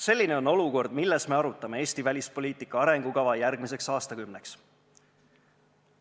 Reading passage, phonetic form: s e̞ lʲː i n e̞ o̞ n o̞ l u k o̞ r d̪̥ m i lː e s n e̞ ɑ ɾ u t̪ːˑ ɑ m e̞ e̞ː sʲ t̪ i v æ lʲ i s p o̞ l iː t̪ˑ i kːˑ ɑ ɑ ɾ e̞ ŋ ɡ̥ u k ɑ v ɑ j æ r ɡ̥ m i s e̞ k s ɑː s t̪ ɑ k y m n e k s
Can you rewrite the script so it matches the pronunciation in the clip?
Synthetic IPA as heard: s e̞ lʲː i n e̞ o̞ n o̞ l u k o̞ r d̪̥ m i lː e s m e̞ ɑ ɾ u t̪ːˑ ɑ m e̞ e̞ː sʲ t̪ i v æ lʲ i s p o̞ l iː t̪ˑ i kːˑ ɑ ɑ ɾ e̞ ŋ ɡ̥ u k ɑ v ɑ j æ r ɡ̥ m i s e̞ k s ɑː s t̪ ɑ k y m n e k s